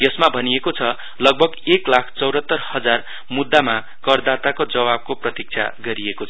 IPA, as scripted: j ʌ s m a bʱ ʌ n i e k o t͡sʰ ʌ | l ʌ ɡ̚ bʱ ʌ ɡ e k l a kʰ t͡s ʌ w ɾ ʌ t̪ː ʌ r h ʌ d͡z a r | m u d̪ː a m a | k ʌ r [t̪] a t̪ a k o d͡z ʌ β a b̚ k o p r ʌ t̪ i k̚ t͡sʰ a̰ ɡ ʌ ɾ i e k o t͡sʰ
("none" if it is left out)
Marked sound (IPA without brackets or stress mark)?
d̪